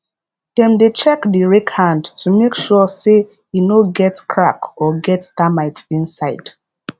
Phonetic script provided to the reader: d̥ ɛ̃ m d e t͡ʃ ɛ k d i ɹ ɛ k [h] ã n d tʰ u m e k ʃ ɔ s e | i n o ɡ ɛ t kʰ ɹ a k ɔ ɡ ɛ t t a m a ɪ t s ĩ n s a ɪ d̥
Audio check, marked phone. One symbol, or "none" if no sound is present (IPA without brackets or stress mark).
h